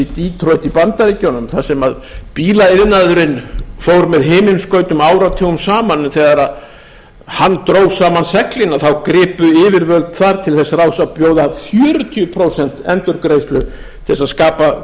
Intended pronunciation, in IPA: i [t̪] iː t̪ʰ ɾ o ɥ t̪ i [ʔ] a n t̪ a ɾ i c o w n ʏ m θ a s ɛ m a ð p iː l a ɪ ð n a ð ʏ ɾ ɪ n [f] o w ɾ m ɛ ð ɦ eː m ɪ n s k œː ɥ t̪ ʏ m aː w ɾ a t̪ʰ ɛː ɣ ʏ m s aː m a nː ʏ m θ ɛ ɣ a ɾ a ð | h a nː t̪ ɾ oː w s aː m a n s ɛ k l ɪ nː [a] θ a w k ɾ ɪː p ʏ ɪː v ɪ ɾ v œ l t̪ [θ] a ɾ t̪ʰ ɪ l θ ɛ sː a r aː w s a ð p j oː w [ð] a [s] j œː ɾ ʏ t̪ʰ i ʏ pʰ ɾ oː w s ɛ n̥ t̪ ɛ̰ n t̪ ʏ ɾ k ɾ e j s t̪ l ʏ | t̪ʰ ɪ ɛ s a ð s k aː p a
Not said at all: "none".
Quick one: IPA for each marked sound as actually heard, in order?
t̪, p, f, a, θ, ð, f

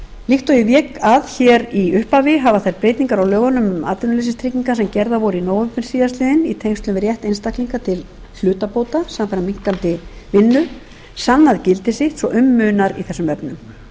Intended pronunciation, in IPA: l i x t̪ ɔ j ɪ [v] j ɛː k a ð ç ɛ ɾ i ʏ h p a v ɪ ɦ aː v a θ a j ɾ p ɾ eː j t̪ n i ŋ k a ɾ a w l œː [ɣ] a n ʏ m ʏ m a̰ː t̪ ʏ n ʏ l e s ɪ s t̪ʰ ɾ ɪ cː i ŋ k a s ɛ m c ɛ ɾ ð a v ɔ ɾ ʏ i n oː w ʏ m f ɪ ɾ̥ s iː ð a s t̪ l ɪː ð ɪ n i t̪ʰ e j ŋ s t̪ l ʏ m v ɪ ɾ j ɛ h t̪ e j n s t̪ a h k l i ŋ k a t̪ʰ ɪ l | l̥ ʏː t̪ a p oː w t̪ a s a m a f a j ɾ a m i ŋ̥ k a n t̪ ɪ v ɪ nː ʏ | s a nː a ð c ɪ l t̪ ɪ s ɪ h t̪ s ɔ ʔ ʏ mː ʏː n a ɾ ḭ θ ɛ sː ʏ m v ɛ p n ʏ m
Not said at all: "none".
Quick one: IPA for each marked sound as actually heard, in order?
v, ɣ

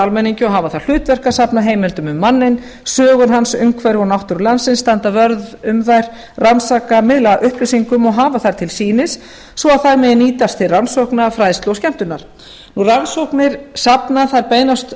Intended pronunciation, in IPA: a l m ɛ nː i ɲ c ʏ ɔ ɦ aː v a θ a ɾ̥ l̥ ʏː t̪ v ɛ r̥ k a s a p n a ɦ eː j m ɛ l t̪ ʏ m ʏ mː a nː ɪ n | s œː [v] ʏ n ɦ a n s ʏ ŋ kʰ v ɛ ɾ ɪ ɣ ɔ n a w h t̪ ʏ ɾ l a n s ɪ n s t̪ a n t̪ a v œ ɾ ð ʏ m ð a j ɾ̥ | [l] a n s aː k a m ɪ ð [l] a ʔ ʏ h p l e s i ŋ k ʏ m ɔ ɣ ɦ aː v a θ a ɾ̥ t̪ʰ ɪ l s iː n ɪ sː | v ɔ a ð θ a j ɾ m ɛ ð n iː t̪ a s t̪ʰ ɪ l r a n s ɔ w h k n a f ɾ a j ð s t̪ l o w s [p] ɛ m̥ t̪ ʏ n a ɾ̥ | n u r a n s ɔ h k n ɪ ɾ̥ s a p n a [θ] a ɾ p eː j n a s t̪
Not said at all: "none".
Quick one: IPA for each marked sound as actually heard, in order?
ɣ, r, l, c, θ

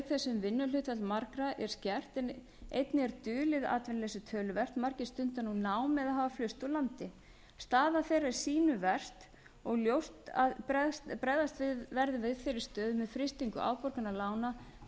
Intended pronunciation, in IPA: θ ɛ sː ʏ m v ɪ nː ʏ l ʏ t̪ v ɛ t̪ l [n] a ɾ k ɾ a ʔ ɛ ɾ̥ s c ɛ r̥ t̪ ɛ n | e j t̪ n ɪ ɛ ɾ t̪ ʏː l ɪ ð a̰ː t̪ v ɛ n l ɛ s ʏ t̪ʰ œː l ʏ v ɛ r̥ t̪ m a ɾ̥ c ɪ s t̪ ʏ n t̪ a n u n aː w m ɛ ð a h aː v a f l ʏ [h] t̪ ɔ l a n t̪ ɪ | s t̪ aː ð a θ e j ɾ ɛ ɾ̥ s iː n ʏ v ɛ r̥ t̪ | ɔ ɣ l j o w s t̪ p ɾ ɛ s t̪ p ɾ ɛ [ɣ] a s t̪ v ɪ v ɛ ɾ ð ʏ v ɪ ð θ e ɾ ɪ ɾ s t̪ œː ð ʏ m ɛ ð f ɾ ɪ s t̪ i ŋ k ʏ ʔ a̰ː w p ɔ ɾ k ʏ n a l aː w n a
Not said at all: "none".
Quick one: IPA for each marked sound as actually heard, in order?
m, s, ð

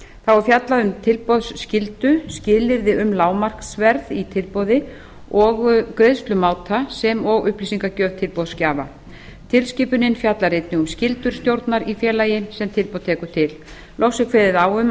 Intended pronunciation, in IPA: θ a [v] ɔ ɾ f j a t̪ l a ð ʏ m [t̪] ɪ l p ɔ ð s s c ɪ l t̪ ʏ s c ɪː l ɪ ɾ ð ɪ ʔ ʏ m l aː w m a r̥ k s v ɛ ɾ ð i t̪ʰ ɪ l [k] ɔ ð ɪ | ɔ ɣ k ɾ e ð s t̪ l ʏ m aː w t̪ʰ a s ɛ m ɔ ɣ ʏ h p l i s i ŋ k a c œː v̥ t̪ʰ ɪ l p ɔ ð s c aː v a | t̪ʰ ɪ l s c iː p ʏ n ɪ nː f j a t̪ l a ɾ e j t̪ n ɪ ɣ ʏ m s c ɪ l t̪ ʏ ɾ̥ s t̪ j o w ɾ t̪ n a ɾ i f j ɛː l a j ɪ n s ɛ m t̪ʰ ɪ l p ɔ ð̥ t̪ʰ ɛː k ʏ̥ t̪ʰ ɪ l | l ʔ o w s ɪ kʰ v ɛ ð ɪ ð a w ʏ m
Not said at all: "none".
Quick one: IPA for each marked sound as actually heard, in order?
w, t̪ʰ, p

